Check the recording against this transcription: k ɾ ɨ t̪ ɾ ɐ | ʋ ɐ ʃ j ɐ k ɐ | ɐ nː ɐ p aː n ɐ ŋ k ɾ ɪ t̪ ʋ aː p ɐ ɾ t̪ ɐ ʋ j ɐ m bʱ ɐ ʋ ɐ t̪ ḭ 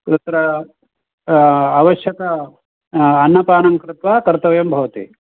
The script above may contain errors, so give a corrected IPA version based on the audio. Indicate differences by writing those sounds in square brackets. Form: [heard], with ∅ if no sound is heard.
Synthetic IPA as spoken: k ɾ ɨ t̪ ɾ ɐ | ʋ ɐ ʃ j ɐ k ɐ | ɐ nː ɐ p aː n ɐ ŋ k ɾ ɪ t̪ ʋ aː [k] ɐ ɾ t̪ ɐ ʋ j ɐ m bʱ ɐ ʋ ɐ t̪ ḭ